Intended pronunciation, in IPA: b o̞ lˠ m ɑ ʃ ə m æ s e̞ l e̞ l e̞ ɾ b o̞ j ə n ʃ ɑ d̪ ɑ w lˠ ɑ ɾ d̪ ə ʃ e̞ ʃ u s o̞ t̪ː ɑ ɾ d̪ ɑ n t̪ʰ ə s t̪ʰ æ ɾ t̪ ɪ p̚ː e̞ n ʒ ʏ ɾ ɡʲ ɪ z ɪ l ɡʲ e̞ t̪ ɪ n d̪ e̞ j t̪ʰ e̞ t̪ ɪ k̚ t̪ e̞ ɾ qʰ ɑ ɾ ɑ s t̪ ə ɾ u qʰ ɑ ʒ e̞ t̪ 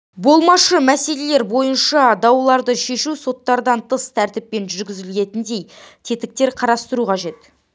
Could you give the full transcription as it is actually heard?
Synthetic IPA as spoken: b o̞ lˠ m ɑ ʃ ə m æ s e̞ l e̞ l e̞ ɾ b o̞ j ə n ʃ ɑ d̪ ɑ w lˠ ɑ ɾ d̪ ə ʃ e̞ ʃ u s o̞ t̪ː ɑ ɾ d̪ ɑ n t̪ʰ ə s t̪ʰ æ ɾ t̪ ɪ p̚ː e̞ n ʒ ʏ ɾ ɡʲ ɪ z ɪ l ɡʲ e̞ t̪ ɪ n d̪ e̞ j t̪ʰ e̞ t̪ ɪ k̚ t̪ e̞ ɾ qʰ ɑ ɾ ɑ s t̪ ə ɾ u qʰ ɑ ʒ e̞ t̪

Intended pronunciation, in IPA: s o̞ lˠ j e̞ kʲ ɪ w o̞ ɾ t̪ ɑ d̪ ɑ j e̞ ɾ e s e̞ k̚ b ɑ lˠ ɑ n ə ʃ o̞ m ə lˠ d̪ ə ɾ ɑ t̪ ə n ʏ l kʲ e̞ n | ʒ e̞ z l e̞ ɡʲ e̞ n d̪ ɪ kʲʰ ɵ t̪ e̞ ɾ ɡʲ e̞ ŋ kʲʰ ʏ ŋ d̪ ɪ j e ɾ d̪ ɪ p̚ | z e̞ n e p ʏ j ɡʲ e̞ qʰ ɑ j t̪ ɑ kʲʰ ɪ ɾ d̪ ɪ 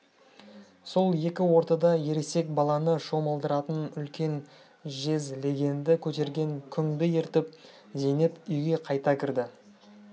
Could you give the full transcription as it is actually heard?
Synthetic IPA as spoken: s o̞ lˠ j e̞ kʲ ɪ w o̞ ɾ t̪ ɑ d̪ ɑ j e̞ ɾ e s e̞ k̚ b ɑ lˠ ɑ n ə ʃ o̞ m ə lˠ d̪ ə ɾ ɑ t̪ ə n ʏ l kʲ e̞ n | ʒ e̞ z l e̞ ɡʲ e̞ n d̪ ɪ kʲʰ ɵ t̪ e̞ ɾ ɡʲ e̞ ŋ kʲʰ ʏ ŋ d̪ ɪ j e ɾ t̪ ɪ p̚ | z e̞ n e p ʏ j ɡʲ e̞ qʰ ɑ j t̪ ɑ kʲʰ ɪ ɾ d̪ ɪ

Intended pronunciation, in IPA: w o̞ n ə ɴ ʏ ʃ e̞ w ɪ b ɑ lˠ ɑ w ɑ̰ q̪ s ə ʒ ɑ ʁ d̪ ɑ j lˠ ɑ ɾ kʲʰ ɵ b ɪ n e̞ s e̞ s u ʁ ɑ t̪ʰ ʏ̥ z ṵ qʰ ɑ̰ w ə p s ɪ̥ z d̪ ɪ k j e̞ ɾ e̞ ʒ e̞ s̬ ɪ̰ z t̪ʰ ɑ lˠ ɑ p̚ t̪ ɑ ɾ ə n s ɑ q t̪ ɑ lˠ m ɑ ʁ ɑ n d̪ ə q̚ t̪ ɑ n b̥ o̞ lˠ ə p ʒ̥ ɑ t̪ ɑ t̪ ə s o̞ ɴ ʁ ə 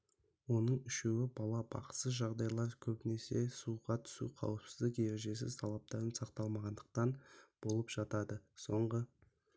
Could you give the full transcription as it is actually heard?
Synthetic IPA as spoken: w o̞ n ə ɴ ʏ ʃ e̞ w ɪ b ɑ lˠ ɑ b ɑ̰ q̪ s ə ʒ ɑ ʁ d̪ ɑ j lˠ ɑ ɾ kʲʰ ɵ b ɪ n e̞ s e̞ s u ʁ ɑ t̪ʰ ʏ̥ s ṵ qʰ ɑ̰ w ə p s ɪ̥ z d̪ ɪ k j e̞ ɾ e̞ ʒ e̞ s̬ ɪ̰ z t̪ʰ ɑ lˠ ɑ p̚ t̪ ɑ ɾ ə n s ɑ q t̪ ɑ lˠ m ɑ ʁ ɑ n d̪ ə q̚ t̪ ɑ n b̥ o̞ lˠ ə p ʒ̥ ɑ t̪ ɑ d̪ ə s o̞ ɴ ʁ ə

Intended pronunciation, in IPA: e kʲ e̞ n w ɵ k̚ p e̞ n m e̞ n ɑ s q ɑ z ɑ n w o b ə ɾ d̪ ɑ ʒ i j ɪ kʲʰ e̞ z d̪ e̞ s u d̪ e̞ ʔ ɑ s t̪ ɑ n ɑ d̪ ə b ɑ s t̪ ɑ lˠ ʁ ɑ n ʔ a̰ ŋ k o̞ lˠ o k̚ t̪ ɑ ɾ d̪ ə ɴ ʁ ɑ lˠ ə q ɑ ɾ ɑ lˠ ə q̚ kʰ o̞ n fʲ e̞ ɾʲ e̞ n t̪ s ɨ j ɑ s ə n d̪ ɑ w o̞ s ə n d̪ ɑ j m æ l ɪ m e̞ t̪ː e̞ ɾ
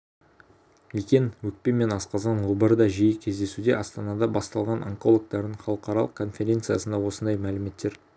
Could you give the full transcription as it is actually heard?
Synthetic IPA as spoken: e kʲ e̞ n w ɵ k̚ p e̞ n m e̞ n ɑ s q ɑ z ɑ n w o b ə ɾ d̪ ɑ ʒ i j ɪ kʲʰ e̞ z d̪ e̞ s u d̪ e̞ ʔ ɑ s t̪ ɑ n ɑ d̪ ɑ b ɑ s t̪ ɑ lˠ ʁ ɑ n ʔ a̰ ŋ k o̞ lˠ o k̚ t̪ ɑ ɾ d̪ ə ɴ χ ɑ lˠ ə q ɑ ɾ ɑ lˠ ə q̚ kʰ o̞ n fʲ e̞ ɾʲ e̞ n t̪ s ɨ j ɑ s ə n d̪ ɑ w o̞ s ə n d̪ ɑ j m æ l ɪ m e̞ t̪ː e̞ ɾ

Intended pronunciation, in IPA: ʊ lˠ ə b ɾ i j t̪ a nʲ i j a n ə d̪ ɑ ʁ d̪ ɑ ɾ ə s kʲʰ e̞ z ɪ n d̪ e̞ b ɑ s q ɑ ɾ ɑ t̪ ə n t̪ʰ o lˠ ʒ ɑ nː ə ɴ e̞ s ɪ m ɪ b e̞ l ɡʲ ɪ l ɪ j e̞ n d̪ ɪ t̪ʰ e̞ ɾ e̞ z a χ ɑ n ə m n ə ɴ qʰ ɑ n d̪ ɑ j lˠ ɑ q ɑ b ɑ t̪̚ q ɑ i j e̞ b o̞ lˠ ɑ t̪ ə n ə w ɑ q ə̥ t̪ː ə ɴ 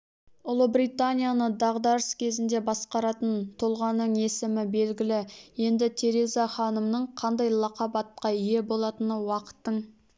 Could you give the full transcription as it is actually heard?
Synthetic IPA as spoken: ʊ lˠ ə b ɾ i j t̪ a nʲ i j a n ə d̪ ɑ ʁ d̪ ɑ ɾ ə s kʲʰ e̞ z ɪ n d̪ e̞ b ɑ s q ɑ ɾ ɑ t̪ ə n t̪ʰ o lˠ ʁ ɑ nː ə ɴ e̞ s ɪ m ɪ b e̞ l ɡʲ ɪ l ɪ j e̞ n d̪ ɪ t̪ʰ e̞ ɾ e̞ z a χ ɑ n ə m n ə ɴ qʰ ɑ n d̪ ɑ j lˠ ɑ q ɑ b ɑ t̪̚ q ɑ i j e̞ b o̞ lˠ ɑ t̪ ə n ə w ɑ q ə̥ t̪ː ə ɴ

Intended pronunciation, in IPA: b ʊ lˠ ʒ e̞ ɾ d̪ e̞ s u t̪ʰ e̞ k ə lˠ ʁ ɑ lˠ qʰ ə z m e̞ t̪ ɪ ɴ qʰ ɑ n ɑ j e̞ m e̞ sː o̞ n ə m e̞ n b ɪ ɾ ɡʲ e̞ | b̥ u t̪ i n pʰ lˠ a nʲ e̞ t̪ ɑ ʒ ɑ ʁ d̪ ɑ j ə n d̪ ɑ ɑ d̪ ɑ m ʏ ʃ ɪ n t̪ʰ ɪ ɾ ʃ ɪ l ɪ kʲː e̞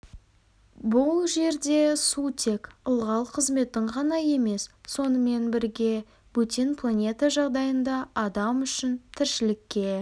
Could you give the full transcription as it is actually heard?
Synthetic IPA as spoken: b ʊ lˠ ʒ e̞ ɾ d̪ e̞ s u t̪ʰ e̞ k ə lˠ ʁ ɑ lˠ qʰ ə z m e̞ t̪ ɪ ɴ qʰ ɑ n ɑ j e̞ m e̞ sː o̞ n ə m e̞ n b ɪ ɾ ɡʲ e̞ | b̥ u t̪ i n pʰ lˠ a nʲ e̞ t̪ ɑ ʒ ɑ ʁ d̪ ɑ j ə n d̪ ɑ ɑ d̪ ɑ m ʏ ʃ ɪ n t̪ʰ ɪ ɾ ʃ ɪ l ɪ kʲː e̞

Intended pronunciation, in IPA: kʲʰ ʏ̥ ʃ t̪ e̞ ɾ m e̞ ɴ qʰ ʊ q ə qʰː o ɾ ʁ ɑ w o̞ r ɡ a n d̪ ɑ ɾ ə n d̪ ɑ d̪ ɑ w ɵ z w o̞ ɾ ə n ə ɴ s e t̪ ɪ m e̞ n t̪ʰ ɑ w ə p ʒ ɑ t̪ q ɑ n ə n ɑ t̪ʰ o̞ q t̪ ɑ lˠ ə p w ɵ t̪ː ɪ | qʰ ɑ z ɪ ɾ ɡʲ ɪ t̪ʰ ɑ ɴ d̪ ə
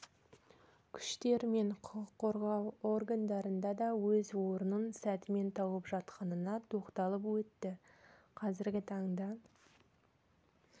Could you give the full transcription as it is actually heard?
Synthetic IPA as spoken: kʲʰ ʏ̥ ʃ t̪ e̞ ɾ m e̞ ɴ qʰ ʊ q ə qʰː o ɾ ʁ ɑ w o̞ r ɡ a n d̪ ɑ ɾ ə n d̪ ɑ d̪ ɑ w ɵ z w o̞ ɾ ə n ə n s æ t̪ ɪ m e̞ n t̪ʰ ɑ w ə p ʒ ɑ t̪ q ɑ n ə n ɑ t̪ʰ o̞ q t̪ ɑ lˠ ə p w ɵ t̪ː ɪ | qʰ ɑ z ɪ ɾ ɡʲ ɪ t̪ʰ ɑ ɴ d̪ ɑ

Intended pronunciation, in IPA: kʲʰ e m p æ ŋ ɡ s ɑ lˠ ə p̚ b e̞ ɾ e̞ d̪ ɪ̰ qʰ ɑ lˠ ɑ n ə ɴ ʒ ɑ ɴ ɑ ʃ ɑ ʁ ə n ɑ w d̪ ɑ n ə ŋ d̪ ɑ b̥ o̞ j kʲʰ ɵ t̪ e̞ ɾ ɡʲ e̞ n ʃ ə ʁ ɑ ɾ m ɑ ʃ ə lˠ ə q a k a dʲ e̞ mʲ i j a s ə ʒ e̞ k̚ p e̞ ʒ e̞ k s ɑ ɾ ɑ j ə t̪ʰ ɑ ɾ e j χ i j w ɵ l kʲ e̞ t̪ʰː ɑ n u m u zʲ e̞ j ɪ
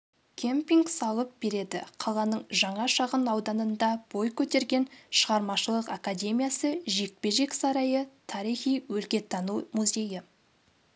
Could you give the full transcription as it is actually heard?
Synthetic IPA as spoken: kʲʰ e m p i ŋ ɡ s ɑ lˠ ə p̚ b e̞ ɾ e̞ d̪ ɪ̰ qʰ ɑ lˠ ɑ n ə ɴ ʒ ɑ ɴ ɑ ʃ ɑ ʁ ə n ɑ w d̪ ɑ n ə n d̪ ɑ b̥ o̞ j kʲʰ ɵ t̪ e̞ ɾ ɡʲ e̞ n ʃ ə ʁ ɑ ɾ m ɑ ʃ ə lˠ ə q a k a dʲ e̞ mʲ i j a s ə ʒ e̞ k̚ p e̞ ʒ e̞ k s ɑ ɾ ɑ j ə t̪ʰ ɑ ɾ i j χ i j w ɵ l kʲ e̞ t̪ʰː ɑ n u m u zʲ e̞ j ɪ

